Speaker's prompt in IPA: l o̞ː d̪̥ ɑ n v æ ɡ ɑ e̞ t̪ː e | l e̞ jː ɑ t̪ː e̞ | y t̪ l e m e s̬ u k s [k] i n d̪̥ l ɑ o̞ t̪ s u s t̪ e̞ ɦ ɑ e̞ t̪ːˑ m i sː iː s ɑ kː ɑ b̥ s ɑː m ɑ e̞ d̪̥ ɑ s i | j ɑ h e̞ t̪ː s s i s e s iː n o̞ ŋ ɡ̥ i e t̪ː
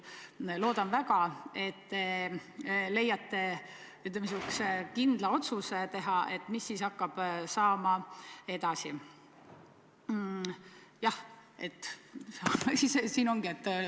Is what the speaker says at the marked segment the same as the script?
yes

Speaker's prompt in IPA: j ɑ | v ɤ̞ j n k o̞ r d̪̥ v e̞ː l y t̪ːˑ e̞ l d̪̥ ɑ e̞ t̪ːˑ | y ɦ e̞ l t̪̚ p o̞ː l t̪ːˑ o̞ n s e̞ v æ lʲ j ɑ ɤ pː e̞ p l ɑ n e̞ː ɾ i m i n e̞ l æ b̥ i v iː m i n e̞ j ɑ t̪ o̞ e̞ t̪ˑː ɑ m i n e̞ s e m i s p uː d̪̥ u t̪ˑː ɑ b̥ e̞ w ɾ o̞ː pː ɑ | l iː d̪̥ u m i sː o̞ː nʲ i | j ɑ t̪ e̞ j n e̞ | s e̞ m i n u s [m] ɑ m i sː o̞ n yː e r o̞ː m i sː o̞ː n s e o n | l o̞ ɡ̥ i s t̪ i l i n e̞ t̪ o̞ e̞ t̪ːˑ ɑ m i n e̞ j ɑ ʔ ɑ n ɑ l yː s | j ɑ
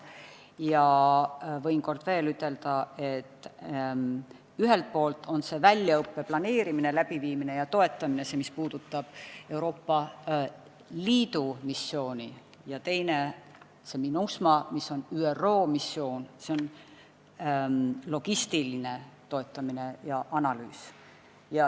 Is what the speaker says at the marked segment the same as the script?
yes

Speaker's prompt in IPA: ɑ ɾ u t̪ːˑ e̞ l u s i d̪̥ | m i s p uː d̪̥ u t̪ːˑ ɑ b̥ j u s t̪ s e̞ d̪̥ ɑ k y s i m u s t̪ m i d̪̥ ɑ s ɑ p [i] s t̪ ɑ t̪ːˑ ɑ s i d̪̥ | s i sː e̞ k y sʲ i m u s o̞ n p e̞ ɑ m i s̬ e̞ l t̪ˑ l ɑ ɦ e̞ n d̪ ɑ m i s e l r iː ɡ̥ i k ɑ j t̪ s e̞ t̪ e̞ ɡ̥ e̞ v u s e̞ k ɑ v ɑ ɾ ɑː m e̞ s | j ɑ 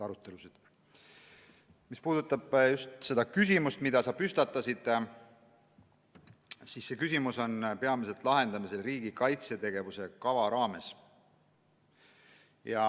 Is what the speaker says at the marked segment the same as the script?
no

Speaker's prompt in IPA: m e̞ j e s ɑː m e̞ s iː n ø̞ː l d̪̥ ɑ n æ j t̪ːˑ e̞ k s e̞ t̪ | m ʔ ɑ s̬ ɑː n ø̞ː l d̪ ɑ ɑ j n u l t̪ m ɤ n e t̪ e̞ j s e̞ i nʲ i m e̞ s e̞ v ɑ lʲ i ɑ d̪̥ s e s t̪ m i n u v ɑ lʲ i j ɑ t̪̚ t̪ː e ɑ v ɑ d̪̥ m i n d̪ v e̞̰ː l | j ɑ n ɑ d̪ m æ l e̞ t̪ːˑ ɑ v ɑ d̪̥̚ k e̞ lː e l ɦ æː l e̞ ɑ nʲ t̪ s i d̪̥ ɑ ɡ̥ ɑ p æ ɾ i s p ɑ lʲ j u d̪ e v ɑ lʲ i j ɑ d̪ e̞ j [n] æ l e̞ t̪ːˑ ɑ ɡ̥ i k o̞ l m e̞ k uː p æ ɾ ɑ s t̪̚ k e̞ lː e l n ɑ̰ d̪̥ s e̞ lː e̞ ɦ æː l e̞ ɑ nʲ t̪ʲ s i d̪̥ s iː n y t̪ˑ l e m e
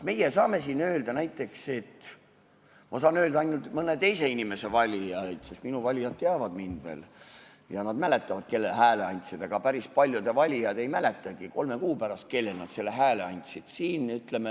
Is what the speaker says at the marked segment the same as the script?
no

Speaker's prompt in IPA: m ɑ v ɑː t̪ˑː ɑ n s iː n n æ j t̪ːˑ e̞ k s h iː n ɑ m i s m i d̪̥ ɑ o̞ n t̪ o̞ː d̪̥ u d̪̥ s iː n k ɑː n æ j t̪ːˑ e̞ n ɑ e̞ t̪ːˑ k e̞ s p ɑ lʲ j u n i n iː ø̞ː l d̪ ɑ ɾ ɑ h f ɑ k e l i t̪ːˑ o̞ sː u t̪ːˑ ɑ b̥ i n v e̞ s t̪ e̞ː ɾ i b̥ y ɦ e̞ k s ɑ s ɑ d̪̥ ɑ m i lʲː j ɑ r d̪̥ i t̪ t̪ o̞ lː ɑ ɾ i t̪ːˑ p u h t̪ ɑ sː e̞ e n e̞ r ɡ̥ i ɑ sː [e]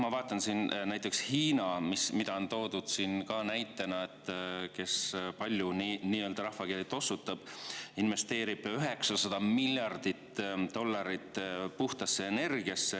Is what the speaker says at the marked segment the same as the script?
yes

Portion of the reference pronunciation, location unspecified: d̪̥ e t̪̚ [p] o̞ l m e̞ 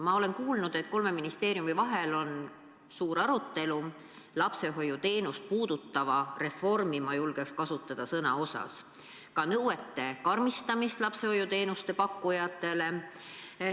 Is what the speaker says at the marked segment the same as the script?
no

